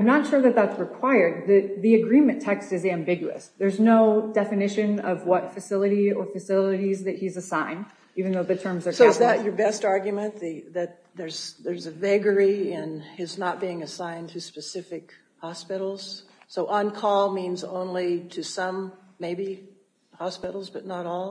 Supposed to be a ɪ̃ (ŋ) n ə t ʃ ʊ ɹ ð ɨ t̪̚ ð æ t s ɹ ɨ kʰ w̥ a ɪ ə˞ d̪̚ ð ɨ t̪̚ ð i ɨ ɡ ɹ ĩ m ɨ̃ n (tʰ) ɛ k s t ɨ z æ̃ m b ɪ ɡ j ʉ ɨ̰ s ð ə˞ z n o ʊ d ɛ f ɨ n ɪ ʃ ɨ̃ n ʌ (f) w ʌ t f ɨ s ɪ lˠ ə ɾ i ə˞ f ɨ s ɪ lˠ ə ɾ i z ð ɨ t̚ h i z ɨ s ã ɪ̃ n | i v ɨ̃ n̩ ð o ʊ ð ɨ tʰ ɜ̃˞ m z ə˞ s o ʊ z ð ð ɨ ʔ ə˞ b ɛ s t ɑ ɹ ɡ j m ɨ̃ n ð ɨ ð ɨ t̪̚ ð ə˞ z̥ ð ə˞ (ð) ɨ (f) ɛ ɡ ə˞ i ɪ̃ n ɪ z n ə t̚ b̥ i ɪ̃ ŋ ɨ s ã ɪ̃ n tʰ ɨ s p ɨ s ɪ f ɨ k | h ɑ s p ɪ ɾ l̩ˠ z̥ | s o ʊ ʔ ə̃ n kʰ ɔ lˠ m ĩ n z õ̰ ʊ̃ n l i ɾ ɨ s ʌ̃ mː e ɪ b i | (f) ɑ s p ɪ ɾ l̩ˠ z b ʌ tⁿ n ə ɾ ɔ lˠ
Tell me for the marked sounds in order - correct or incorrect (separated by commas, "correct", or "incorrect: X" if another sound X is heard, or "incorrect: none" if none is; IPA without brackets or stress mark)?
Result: incorrect: m, correct, incorrect: v, incorrect: z, incorrect: v, incorrect: h